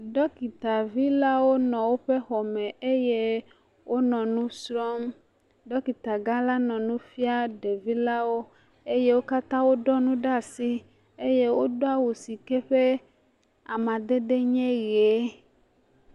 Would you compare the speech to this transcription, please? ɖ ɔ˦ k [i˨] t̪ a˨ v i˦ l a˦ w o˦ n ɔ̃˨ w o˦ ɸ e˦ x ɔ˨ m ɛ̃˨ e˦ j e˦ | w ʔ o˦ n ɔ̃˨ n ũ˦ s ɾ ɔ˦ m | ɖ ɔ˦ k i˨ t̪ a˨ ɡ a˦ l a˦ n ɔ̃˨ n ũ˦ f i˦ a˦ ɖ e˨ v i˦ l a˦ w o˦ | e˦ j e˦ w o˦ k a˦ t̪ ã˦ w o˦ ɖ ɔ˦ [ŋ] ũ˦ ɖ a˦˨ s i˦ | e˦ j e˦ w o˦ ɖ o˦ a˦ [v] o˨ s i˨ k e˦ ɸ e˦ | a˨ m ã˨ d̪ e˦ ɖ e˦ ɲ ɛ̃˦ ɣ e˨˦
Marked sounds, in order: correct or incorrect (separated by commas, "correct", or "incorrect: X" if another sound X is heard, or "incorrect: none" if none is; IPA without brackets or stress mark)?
correct, incorrect: n, incorrect: w